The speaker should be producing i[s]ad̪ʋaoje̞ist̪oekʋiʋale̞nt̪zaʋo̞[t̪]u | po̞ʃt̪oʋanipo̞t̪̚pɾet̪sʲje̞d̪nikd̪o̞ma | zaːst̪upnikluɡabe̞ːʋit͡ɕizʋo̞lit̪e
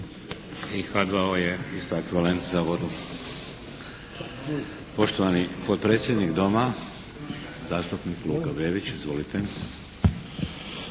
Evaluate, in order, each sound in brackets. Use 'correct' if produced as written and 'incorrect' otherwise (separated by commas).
incorrect, incorrect